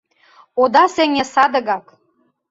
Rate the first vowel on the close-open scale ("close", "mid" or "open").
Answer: mid